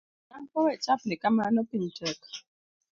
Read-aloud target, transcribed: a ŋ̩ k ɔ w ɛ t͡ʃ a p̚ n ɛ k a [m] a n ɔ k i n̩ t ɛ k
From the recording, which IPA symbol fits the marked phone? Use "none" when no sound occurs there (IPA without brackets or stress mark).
m